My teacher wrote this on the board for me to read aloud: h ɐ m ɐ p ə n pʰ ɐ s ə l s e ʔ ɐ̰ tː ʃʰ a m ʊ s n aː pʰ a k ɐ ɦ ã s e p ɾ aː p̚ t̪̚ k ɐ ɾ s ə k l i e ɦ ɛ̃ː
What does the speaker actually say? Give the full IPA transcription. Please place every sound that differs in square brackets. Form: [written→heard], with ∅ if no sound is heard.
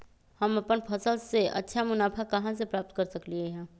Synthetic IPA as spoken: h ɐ m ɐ p ə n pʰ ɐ s ə l s e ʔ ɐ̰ tː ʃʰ a m ʊ [s→∅] n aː pʰ a k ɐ ɦ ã s e p ɾ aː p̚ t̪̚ k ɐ ɾ s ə k l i e ɦ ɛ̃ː